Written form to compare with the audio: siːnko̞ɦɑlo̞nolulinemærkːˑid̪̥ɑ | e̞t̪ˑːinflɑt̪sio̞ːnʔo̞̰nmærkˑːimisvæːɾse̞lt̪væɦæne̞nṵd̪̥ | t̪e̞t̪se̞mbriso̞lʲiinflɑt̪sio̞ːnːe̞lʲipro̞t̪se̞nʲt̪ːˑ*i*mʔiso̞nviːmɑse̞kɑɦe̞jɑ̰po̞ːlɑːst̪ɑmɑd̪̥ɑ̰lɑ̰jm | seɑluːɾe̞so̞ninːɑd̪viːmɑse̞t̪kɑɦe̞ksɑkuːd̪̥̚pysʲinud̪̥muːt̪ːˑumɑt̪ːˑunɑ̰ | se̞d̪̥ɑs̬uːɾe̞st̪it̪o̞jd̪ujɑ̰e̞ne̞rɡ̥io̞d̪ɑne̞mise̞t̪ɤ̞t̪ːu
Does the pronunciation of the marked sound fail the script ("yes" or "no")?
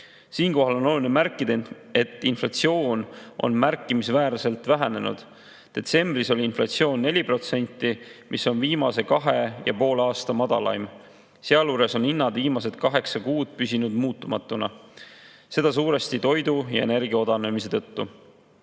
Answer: no